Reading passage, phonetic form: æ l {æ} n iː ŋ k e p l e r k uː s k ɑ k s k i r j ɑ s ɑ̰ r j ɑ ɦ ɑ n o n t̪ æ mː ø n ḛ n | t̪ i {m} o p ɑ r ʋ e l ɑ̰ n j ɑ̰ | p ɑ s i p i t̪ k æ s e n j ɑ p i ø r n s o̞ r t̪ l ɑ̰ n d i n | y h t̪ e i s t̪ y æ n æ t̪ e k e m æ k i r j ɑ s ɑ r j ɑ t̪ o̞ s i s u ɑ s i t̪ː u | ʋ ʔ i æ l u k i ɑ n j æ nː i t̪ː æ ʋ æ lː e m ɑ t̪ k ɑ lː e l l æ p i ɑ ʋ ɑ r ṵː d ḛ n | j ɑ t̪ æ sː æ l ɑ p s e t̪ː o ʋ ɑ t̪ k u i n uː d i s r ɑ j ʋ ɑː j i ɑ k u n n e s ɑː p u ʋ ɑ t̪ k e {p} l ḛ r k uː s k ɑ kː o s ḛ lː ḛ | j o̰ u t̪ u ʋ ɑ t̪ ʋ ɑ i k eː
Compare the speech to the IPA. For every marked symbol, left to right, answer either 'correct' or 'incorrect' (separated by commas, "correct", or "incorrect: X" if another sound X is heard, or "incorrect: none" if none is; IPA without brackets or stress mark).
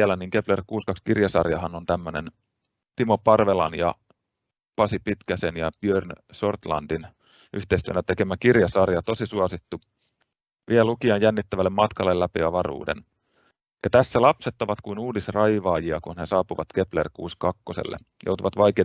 correct, correct, correct